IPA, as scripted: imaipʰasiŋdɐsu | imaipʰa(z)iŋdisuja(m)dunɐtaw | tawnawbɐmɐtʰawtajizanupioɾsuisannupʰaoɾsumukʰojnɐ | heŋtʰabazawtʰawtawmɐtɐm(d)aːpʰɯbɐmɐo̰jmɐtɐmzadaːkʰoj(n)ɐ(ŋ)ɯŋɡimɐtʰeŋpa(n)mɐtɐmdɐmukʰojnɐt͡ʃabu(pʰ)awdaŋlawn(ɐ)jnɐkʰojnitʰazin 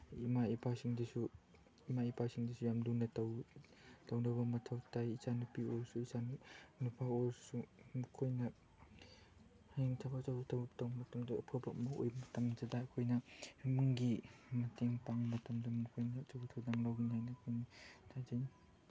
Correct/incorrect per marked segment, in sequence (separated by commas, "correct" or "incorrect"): incorrect, correct, correct, correct, incorrect, incorrect, incorrect, incorrect